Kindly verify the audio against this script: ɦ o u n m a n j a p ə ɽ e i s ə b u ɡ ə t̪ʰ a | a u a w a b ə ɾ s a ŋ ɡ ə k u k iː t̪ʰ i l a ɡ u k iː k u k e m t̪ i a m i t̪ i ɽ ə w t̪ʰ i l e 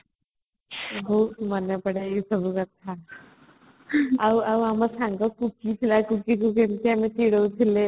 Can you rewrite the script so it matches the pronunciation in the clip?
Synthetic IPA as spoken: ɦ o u m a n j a p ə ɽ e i s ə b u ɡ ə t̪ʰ a | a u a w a m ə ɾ s a ŋ ɡ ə k u k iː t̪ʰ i l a k u k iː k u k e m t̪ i a m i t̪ i ɽ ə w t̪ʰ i l e